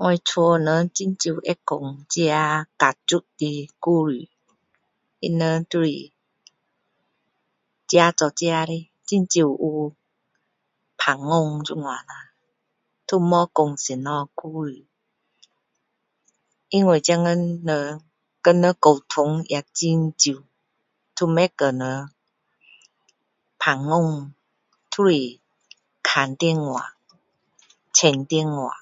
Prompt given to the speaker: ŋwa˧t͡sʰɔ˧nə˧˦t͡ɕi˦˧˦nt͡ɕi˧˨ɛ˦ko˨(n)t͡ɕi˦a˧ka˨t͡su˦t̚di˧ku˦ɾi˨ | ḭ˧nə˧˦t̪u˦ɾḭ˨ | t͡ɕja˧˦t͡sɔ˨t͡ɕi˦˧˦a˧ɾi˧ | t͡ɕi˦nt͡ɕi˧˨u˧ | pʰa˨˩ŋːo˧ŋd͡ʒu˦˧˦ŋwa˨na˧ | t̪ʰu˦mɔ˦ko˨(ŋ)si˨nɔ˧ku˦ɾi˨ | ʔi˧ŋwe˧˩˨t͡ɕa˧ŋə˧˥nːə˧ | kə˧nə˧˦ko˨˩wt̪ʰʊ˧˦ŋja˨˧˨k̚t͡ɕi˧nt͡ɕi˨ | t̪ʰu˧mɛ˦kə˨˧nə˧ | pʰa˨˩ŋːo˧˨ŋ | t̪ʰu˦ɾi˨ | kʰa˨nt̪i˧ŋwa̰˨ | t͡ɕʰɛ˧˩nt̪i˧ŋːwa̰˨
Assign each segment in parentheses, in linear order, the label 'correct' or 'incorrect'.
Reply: incorrect, correct

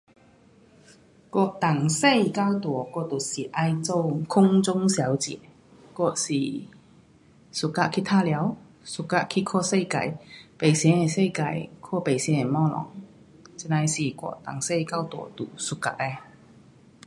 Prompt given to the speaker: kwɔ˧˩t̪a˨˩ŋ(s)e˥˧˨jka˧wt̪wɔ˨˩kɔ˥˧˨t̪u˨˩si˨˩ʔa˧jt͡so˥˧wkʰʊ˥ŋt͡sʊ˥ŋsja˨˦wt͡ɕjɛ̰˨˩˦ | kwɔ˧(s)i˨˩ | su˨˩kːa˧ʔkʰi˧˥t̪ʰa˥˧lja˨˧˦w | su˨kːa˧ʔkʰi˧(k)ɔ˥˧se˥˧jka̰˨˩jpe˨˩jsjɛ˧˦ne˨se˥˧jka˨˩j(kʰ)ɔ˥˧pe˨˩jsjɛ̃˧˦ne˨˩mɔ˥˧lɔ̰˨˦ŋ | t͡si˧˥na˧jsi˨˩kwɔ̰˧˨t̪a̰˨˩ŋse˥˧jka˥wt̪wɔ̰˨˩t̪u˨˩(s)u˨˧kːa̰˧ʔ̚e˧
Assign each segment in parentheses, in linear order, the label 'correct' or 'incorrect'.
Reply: correct, correct, incorrect, correct, correct

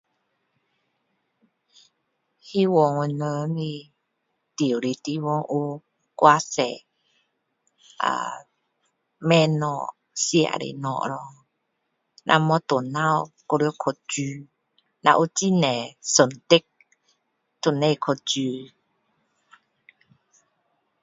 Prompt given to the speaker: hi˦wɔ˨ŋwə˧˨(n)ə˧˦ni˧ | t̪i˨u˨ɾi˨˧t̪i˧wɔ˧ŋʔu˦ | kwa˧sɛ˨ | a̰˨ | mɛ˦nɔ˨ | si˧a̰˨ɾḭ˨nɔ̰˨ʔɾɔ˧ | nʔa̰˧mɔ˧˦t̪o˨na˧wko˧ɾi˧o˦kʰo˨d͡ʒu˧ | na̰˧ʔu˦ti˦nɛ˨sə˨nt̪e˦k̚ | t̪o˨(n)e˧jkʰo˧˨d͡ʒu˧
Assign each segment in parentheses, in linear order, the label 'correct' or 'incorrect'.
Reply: correct, correct

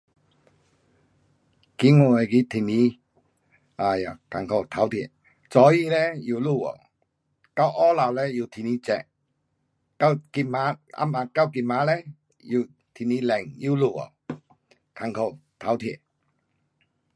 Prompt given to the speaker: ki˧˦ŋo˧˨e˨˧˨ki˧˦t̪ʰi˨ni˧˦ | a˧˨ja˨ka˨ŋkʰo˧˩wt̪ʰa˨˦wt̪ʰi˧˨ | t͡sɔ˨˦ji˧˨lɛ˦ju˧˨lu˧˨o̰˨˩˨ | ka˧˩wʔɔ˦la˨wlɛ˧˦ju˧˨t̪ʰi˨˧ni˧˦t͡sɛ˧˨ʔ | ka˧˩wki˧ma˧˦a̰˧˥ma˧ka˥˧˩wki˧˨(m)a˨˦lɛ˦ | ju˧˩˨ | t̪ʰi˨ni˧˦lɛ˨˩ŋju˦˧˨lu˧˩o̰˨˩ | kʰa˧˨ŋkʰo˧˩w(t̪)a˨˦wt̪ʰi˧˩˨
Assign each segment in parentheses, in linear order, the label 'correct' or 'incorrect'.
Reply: correct, incorrect

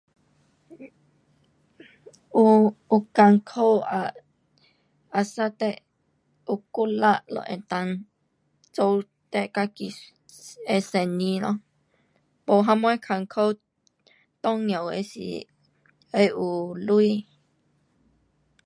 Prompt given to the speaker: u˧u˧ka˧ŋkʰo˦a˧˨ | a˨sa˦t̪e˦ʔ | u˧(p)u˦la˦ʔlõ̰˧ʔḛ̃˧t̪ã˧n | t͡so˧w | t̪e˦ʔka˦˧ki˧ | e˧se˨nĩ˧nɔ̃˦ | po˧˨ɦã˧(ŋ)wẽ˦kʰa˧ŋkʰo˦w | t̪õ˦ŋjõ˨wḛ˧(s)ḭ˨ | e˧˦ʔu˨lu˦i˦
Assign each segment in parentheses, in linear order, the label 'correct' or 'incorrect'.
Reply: incorrect, incorrect, correct

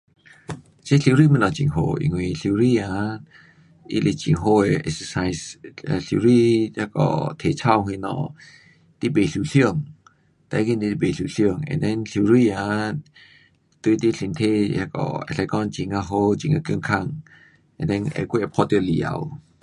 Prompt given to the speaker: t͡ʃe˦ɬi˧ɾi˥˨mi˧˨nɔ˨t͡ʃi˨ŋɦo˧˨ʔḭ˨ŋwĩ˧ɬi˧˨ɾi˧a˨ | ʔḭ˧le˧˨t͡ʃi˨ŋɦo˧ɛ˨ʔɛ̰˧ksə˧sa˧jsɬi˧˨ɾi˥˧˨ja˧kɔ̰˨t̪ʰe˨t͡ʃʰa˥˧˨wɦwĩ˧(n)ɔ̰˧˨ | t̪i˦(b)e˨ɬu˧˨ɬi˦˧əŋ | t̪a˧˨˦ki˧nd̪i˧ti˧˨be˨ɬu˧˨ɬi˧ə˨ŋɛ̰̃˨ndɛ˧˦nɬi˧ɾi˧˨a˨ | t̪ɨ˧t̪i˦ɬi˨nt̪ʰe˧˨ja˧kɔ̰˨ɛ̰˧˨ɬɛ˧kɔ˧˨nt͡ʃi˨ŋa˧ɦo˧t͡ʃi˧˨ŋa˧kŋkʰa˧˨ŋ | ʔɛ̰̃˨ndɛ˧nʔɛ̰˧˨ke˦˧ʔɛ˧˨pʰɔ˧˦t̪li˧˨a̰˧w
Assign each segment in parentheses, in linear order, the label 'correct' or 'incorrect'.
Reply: correct, correct

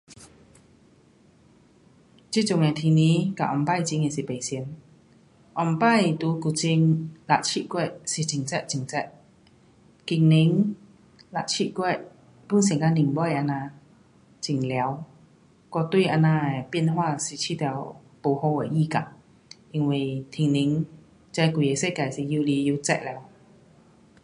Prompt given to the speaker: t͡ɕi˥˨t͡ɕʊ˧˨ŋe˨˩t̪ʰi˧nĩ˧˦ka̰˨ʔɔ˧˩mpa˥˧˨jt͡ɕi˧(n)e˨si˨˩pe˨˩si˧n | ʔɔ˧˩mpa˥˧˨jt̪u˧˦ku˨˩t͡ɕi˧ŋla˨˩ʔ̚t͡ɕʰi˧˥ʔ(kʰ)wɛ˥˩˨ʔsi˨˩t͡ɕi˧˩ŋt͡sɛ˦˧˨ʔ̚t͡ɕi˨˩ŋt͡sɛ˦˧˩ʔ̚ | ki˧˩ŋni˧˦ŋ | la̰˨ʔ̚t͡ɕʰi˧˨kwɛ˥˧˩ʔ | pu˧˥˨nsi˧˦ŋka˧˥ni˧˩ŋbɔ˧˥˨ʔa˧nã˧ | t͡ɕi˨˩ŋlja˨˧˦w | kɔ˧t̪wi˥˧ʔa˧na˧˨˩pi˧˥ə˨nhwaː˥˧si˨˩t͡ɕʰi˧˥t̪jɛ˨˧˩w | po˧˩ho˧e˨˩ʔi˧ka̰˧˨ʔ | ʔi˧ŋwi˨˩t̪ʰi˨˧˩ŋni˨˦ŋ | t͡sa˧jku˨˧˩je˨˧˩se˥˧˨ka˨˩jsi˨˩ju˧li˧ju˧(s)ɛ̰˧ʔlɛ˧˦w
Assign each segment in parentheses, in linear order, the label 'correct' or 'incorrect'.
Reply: incorrect, incorrect, incorrect

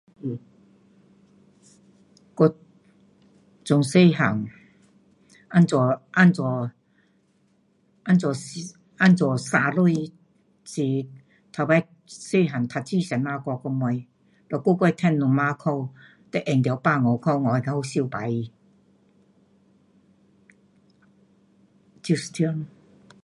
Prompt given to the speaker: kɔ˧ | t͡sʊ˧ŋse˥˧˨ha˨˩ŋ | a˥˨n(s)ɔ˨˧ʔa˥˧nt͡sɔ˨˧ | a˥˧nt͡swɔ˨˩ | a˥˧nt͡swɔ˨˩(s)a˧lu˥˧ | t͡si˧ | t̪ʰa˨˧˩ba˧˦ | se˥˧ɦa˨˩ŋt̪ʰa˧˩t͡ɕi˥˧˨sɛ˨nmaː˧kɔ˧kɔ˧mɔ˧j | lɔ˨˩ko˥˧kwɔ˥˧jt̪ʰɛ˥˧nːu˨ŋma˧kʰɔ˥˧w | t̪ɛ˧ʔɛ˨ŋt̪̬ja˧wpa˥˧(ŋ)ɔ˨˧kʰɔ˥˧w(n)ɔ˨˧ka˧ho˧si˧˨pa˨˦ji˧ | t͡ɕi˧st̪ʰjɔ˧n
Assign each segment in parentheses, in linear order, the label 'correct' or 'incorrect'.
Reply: incorrect, correct, correct, incorrect

